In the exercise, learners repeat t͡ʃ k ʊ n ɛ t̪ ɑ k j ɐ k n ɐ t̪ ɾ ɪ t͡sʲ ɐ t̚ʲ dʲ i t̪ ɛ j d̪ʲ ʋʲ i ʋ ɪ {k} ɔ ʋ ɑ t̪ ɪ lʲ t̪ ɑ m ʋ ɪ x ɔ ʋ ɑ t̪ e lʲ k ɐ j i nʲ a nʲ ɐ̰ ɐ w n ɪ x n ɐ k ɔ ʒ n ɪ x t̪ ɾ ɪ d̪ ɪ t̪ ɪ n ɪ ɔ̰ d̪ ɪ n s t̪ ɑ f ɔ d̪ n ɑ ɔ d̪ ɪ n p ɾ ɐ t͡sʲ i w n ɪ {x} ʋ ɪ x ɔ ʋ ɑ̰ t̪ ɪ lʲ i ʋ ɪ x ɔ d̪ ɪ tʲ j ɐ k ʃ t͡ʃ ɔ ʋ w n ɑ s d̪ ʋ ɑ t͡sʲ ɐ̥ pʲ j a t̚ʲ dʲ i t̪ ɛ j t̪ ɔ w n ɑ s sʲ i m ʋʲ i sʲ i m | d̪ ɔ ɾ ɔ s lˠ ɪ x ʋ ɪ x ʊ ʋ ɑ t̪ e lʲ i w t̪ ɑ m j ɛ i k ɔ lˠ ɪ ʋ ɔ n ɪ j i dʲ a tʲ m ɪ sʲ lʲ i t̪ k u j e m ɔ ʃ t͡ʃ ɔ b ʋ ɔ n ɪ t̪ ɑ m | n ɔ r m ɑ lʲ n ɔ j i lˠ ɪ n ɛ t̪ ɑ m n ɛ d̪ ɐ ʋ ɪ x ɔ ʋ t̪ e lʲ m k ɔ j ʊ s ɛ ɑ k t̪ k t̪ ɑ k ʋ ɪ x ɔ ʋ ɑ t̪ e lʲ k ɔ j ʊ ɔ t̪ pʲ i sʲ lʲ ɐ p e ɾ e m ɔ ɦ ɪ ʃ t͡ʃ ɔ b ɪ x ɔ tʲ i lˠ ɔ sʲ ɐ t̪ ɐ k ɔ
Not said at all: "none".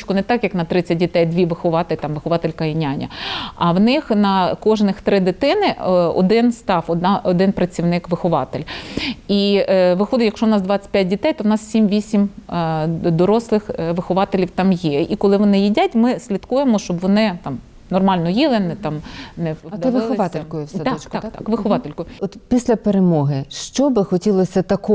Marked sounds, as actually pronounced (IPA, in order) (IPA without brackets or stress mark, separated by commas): x, k